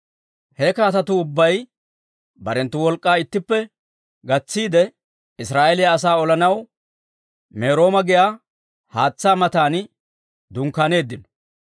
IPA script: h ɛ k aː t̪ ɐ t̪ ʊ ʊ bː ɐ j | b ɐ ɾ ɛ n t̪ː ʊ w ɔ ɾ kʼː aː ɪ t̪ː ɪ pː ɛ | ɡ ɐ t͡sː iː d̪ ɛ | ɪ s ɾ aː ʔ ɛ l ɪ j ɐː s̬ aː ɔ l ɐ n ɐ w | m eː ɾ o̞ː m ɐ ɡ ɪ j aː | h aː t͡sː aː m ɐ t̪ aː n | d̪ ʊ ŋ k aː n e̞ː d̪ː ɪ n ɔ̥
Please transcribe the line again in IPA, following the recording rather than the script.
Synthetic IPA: h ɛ k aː t̪ ɐ t̪ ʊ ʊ bː ɐ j | b ɐ ɾ ɛ n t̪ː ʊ w ɔ l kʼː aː ɪ t̪ː ɪ pː ɛ | ɡ ɐ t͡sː iː d̪ ɛ | ɪ s ɾ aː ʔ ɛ l ɪ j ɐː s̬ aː ɔ l ɐ n ɐ w | m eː ɾ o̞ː m ɐ ɡ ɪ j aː | h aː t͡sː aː m ɐ t̪ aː n | d̪ ʊ ŋ k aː n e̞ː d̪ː ɪ n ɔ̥